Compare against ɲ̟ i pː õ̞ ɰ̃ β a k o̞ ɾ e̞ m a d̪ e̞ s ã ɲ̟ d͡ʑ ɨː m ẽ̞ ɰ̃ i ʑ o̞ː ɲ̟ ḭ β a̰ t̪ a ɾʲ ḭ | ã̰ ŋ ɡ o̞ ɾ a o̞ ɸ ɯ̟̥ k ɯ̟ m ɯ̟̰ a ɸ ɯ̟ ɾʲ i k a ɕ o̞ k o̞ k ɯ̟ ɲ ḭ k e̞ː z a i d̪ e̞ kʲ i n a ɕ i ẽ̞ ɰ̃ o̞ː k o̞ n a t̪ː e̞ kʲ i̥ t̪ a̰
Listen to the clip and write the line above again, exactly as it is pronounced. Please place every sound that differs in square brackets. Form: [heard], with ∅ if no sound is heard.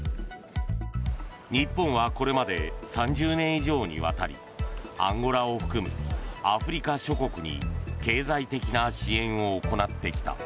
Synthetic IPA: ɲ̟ i pː õ̞ ɰ̃ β a k o̞ ɾ e̞ m a d̪ e̞ s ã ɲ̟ d͡ʑ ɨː [n] ẽ̞ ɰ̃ i ʑ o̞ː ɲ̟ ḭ β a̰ t̪ a ɾʲ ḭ | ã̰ ŋ ɡ o̞ ɾ a o̞ ɸ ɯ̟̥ k ɯ̟ m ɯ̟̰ a ɸ ɯ̟ ɾʲ i k a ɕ o̞ k o̞ k ɯ̟ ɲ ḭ k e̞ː z a i [t̪] e̞ kʲ i n a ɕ i ẽ̞ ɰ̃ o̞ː k o̞ n a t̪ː e̞ kʲ i̥ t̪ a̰